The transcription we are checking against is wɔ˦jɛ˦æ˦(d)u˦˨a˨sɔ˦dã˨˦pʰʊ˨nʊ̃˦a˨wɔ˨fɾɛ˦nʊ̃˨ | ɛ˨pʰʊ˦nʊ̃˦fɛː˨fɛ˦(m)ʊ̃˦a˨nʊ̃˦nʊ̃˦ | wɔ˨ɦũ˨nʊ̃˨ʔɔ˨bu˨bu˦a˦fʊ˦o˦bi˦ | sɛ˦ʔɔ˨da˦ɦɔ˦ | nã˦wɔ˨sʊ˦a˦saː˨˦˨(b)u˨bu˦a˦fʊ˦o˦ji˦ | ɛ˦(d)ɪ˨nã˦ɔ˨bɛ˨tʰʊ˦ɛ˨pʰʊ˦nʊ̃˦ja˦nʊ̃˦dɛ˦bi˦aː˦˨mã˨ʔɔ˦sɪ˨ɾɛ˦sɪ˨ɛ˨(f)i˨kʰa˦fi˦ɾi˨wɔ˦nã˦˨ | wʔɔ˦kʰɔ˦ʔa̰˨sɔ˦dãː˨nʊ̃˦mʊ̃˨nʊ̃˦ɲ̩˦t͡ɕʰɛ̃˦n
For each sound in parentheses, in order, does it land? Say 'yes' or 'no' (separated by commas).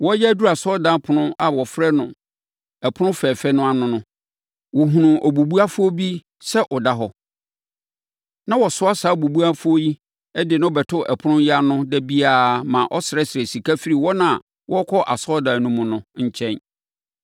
yes, no, yes, yes, no